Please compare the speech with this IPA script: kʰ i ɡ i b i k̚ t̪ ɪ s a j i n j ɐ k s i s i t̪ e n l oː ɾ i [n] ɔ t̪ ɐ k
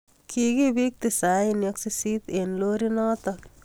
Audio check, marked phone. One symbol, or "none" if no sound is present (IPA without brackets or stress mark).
n